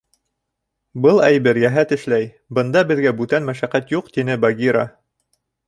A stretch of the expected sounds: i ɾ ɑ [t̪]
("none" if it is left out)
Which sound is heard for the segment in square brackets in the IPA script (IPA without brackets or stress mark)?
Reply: none